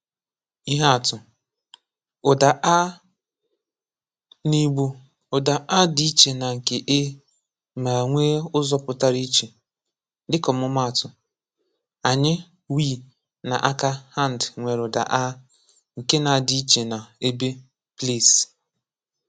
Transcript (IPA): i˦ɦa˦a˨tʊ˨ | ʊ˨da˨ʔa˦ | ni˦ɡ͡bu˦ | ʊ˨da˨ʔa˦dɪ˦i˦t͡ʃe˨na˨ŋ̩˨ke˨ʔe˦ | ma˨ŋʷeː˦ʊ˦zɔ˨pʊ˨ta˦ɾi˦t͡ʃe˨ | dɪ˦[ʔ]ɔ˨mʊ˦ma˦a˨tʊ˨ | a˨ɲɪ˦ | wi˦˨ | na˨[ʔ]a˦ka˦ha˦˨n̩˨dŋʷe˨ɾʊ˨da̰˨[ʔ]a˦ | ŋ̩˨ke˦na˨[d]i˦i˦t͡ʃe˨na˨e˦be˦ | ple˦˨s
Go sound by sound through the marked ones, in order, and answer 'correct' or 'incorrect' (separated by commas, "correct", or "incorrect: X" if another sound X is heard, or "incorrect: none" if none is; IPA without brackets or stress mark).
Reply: incorrect: k, correct, correct, correct